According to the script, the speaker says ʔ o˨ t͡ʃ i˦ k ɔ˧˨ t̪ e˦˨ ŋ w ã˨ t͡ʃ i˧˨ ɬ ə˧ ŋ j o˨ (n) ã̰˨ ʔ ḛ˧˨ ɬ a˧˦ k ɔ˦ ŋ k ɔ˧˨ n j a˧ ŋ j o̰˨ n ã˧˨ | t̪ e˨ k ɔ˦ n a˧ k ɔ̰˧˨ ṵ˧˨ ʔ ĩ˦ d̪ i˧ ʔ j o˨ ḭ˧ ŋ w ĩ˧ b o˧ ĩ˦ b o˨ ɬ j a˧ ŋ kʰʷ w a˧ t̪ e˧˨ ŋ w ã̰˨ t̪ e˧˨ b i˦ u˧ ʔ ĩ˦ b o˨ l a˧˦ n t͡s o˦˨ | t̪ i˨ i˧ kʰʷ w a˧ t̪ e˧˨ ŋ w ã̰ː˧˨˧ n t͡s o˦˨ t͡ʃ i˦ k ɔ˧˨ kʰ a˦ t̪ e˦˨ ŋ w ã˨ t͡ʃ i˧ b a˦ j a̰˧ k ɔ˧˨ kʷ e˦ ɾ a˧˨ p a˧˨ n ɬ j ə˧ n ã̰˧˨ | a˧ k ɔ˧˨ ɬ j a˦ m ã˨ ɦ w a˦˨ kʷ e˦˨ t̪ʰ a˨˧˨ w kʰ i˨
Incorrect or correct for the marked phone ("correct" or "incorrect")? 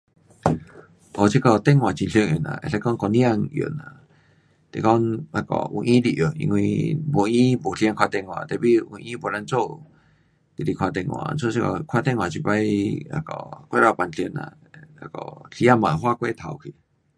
correct